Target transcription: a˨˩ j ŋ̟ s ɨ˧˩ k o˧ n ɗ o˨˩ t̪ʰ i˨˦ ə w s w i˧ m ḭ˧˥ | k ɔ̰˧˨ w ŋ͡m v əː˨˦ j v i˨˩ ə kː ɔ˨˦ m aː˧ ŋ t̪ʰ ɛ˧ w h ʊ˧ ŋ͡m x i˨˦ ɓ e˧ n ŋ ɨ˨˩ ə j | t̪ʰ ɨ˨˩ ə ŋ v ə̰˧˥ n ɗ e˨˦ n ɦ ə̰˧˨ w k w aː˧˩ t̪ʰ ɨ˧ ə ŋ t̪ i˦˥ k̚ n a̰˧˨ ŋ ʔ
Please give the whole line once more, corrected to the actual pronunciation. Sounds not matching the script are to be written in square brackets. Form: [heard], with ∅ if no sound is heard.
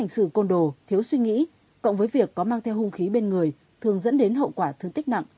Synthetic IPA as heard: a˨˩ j ŋ̟ s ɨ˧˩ k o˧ n ɗ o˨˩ t̪ʰ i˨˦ ə w s w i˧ [ŋ] ḭ˧˥ | k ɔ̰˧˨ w ŋ͡m v əː˨˦ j v i˨˩ ə kː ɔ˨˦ m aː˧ ŋ t̪ʰ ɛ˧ w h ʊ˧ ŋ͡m x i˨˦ ɓ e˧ n ŋ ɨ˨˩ ə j | t̪ʰ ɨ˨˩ ə ŋ [z] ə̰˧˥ n ɗ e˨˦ n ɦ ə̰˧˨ w k w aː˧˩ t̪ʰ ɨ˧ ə ŋ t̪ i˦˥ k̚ n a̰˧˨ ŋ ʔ